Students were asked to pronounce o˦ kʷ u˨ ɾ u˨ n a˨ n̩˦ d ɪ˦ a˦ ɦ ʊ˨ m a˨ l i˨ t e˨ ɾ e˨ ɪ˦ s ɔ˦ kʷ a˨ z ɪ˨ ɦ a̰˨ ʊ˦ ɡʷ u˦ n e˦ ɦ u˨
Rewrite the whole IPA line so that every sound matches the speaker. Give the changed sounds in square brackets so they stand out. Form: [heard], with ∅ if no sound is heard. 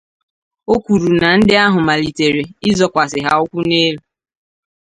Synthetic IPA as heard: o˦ kʷ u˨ ɾ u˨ n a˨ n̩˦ d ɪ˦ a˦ ɦ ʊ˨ m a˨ l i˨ t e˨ ɾ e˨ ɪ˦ [z] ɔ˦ kʷ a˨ [s] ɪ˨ ɦ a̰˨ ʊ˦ [kʷ] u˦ n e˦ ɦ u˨